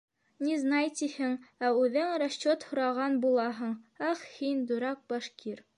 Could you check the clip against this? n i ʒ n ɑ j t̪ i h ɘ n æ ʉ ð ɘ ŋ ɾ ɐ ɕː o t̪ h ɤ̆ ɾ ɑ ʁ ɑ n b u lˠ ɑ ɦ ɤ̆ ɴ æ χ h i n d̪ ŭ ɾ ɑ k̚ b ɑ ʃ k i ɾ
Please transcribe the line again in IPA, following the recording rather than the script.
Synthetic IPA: n i z n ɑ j t̪ i h ɘ ŋ æ ʉ ð ɘ ŋ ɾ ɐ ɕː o t̪ h ŏ ɾ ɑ ʁ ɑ n b u lˠ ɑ ɦ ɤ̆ ɴ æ χ h i n d̪ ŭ ɾ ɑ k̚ b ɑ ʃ k i ɾ